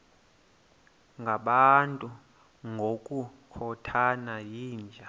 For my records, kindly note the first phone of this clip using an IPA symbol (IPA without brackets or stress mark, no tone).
ŋ